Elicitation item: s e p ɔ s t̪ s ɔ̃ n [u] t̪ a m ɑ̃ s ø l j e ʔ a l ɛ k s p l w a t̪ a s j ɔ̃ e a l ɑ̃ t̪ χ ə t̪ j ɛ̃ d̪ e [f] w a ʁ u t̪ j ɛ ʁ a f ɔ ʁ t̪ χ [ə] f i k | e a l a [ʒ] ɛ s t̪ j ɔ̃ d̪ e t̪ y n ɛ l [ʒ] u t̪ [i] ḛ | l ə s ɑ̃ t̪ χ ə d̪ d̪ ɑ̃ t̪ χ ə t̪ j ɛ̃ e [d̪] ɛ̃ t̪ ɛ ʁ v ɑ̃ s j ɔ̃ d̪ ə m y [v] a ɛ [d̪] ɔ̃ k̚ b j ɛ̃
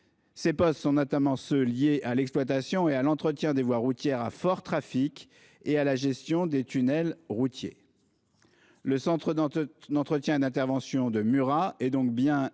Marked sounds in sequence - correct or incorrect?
incorrect, incorrect, incorrect, correct, incorrect, incorrect, correct, incorrect, correct

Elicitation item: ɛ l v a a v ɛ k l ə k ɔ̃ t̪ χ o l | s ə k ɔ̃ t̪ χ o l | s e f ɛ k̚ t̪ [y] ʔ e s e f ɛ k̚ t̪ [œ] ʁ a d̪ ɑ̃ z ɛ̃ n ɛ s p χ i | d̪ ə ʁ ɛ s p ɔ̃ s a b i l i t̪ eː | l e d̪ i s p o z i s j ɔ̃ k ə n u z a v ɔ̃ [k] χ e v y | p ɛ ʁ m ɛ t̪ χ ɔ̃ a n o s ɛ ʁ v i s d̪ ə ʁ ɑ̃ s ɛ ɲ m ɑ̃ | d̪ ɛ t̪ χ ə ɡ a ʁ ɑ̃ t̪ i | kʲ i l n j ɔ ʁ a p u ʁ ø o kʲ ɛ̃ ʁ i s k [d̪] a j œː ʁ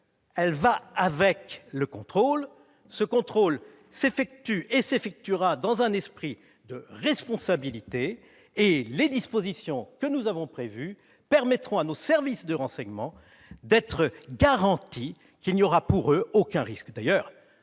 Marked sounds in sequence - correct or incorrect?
correct, incorrect, incorrect, correct

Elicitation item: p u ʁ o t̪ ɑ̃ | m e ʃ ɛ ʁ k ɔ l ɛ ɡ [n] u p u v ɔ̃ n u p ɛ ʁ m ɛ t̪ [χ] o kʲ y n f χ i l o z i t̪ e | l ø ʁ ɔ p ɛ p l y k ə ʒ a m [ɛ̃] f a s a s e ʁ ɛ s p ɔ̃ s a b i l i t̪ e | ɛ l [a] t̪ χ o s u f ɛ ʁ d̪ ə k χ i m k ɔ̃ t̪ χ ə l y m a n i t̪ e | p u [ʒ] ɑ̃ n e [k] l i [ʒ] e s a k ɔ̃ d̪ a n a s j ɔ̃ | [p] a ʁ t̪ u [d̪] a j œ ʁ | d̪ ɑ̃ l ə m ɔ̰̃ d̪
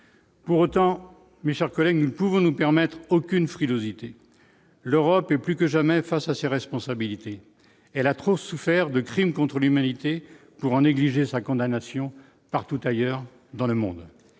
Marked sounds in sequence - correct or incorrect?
correct, correct, incorrect, correct, incorrect, incorrect, correct, correct, incorrect

